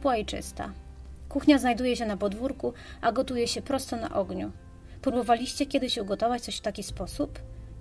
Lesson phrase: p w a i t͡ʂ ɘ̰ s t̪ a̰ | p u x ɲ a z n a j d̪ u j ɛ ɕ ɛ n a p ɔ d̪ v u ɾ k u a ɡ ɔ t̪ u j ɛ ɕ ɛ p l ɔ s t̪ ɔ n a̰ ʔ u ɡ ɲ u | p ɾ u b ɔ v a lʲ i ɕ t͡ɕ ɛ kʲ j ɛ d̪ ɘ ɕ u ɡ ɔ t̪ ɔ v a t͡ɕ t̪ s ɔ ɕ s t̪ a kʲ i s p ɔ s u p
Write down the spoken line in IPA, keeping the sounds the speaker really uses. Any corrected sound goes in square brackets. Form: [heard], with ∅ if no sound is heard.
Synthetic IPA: p w a i t͡ʂ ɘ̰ s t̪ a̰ | [k] u x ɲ a z n a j d̪ u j ɛ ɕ ɛ n a p ɔ d̪ v u ɾ k u a ɡ ɔ t̪ u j ɛ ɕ ɛ p [ɾ] ɔ s t̪ ɔ n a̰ ʔ [ɔ] ɡ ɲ u | p ɾ u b ɔ v a lʲ i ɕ t͡ɕ ɛ kʲ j ɛ d̪ ɘ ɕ u ɡ ɔ t̪ ɔ v a t͡ɕ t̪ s ɔ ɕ [f] t̪ a kʲ i s p ɔ s u p